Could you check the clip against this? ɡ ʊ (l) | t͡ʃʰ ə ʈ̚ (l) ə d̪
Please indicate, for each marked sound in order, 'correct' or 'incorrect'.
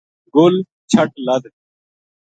correct, correct

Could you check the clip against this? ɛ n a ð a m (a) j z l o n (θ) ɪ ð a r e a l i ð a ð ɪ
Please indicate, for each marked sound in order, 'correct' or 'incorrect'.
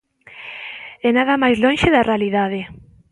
correct, incorrect

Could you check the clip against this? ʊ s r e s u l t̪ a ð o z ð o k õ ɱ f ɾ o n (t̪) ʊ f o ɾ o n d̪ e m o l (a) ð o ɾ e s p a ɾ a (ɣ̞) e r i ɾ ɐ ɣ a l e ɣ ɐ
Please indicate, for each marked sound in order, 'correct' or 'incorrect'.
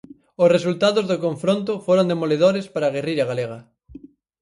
correct, incorrect, correct

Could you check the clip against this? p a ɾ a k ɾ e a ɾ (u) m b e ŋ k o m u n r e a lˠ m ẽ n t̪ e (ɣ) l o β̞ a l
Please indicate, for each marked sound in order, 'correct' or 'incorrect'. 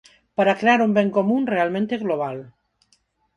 correct, correct

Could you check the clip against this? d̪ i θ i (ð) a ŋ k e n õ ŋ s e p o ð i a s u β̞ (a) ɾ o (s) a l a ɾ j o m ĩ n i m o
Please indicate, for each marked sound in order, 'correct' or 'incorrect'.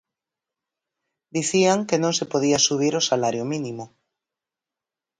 incorrect, incorrect, correct

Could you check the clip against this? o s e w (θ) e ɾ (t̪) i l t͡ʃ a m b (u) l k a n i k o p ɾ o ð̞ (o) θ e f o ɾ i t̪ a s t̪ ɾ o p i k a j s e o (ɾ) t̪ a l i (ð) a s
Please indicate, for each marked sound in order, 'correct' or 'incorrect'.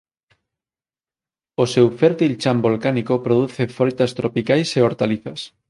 incorrect, correct, incorrect, incorrect, correct, incorrect

